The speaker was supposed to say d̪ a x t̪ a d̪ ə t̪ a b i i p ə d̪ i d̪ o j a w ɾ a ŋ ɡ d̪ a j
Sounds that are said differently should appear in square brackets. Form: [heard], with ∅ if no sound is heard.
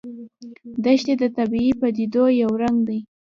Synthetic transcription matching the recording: d̪ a [ʃ] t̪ [e] d̪ ə t̪ a b i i p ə d̪ i d̪ o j a w ɾ a ŋ ɡ d̪ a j